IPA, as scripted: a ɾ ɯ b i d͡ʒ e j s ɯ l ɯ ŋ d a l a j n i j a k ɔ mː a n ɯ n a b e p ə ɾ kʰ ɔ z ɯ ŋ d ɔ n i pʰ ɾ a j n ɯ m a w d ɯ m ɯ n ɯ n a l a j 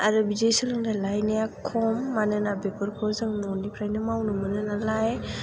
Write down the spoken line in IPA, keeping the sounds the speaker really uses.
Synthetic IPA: a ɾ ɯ b i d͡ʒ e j s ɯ l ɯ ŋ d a l a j n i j a kʰ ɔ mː a n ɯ n a b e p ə ɾ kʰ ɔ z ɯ ŋ n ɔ n i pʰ ɾ a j n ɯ m a w n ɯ m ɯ n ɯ n a l a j

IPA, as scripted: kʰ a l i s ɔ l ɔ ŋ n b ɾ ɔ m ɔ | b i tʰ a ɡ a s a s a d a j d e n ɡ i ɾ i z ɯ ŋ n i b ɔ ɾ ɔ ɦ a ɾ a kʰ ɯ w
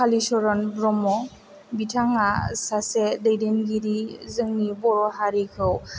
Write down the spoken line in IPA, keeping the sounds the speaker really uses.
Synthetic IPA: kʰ a l i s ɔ ɾ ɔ n b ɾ ɔ m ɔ | b i tʰ a ŋ a s a s e d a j d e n ɡ i ɾ i z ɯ ŋ n i b ɔ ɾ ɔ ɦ a ɾ i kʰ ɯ w

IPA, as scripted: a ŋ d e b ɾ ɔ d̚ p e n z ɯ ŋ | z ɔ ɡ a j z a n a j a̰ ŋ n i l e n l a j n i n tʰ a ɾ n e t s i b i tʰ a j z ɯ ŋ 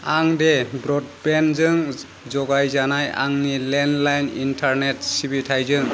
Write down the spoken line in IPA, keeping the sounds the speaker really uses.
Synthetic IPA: a ŋ d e b ɾ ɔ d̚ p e n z ɯ ŋ | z ɔ ɡ a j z a n a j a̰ ŋ n i l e n l a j n i n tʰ a ɾ n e t s i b i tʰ a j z ɯ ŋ

